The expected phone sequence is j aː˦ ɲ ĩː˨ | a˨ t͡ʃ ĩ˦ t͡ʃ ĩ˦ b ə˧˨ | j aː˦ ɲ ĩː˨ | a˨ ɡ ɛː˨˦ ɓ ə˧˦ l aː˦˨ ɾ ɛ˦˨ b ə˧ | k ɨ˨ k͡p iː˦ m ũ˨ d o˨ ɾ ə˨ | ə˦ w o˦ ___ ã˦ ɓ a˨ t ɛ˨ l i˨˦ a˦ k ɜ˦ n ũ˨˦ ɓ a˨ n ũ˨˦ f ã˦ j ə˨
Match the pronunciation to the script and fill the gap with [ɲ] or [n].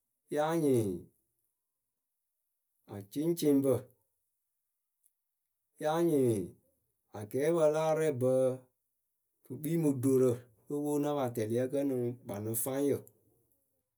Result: n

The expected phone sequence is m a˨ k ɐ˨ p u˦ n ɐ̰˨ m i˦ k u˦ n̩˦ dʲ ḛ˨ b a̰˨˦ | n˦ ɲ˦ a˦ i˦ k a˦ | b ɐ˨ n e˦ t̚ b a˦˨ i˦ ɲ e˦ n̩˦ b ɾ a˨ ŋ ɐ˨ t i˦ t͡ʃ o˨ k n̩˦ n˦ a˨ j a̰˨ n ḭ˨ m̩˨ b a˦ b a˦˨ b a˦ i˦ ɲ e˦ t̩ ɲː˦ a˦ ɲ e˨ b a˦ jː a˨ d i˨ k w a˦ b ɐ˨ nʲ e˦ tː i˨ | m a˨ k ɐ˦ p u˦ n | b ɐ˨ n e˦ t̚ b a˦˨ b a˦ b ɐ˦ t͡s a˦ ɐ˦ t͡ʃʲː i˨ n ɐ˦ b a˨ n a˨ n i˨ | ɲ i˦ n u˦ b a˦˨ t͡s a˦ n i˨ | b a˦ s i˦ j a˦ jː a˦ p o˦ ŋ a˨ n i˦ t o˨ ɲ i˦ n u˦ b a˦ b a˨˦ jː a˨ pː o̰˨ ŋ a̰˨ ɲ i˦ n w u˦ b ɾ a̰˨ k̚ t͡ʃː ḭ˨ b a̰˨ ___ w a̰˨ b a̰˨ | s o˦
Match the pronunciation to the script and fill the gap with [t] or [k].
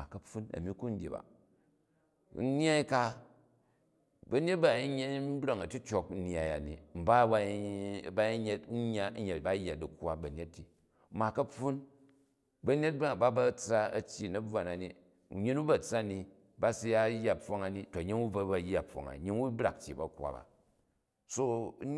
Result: k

